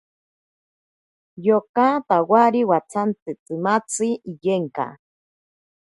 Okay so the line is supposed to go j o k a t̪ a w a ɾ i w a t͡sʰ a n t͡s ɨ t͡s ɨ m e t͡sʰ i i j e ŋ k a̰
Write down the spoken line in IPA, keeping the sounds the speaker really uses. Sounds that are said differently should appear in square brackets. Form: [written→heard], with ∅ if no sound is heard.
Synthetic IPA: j o k a t̪ a w a ɾ i w a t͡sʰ a n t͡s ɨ t͡s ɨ m [e→a] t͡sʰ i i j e ŋ k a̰